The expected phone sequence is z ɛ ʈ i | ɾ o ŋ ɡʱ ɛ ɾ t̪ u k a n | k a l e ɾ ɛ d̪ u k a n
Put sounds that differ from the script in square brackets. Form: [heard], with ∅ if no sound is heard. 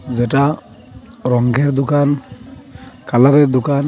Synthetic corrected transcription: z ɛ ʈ [a] | ɾ [ɔ] ŋ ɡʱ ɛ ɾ [d̪] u k a n | k a l [a] ɾ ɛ d̪ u k a n